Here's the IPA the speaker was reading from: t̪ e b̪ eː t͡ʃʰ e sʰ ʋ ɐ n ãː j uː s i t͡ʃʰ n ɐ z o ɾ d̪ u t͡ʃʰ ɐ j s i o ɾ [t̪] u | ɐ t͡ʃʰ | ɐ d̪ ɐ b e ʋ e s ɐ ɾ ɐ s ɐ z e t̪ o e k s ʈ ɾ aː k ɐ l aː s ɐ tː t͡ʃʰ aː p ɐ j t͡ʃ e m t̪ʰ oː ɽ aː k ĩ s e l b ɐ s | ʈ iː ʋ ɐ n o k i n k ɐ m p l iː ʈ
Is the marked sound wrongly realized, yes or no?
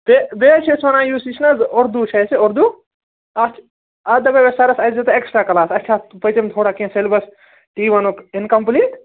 yes